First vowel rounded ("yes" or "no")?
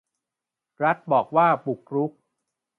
no